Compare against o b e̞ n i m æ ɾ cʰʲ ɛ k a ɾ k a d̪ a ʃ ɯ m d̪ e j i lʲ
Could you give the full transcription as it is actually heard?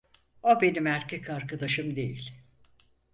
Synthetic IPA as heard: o b e̞ n i m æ ɾ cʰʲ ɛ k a ɾ k a d̪ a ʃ ɯ m d̪ e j i lʲ